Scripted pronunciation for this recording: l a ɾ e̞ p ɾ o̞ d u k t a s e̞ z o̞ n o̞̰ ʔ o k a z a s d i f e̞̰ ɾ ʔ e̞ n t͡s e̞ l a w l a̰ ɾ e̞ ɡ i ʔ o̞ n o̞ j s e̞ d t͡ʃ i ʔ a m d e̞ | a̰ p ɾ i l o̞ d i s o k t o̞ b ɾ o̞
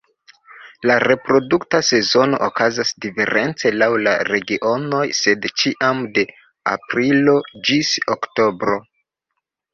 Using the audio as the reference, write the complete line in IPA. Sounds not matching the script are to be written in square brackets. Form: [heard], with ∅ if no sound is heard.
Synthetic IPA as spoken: l a ɾ e̞ p ɾ o̞ d u k t a s e̞ z o̞ n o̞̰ ʔ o k a z a s d i f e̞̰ ɾ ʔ e̞ n t͡s e̞ l a w l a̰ ɾ e̞ ɡ i ʔ o̞ n o̞ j s e̞ d t͡ʃ i ʔ a m d e̞ | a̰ p ɾ i l o̞ [d͡ʒ] i s o k t o̞ b ɾ o̞